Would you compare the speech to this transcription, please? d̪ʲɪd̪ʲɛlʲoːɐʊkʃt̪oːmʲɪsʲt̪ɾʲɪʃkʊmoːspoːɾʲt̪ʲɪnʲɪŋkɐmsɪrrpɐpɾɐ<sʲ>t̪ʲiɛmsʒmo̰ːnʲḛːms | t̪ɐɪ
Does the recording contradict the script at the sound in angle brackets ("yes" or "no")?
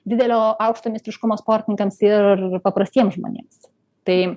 no